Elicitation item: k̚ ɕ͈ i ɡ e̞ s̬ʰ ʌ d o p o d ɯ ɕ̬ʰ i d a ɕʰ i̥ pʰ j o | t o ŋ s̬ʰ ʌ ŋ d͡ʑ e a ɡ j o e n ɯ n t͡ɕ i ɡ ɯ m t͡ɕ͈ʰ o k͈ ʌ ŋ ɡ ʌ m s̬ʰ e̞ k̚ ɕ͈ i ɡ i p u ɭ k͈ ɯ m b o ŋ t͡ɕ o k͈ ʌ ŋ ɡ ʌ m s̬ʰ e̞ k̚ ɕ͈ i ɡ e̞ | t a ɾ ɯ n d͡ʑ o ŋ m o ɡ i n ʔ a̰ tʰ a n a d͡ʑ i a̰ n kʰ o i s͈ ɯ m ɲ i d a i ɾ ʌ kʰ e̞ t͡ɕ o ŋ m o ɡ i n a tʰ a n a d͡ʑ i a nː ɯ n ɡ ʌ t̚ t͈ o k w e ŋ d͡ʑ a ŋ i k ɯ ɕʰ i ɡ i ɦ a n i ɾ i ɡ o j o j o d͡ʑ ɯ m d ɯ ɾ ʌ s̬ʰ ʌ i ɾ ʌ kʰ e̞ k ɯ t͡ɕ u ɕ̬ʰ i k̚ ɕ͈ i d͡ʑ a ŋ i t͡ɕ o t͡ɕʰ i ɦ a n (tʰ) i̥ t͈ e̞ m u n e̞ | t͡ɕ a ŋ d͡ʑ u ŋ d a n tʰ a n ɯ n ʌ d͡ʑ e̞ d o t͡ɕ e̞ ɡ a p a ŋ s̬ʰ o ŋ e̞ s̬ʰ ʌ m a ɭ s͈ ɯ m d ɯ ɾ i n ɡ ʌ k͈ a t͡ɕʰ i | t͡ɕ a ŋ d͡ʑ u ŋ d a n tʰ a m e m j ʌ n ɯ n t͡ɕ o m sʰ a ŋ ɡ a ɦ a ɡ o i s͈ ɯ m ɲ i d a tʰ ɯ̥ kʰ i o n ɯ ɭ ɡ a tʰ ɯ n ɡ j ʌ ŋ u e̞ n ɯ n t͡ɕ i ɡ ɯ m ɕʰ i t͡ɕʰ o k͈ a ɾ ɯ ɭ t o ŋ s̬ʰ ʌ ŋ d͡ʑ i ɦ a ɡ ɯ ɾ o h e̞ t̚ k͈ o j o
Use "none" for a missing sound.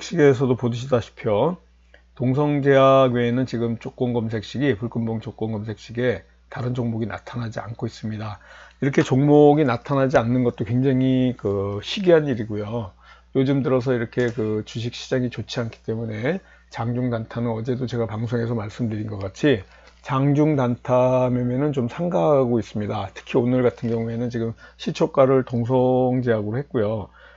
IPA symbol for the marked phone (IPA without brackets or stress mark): kʰ